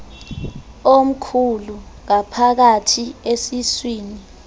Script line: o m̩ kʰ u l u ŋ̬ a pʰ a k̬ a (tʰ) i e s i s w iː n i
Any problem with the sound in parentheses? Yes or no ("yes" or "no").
no